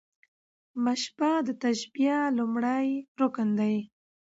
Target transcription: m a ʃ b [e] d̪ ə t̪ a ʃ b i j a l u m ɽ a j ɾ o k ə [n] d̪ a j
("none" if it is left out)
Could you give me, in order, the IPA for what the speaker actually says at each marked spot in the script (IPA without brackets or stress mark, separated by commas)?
a, n